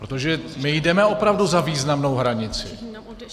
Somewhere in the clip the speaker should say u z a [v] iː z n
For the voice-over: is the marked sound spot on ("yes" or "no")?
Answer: yes